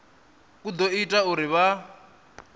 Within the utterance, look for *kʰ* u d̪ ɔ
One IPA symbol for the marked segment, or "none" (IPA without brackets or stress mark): k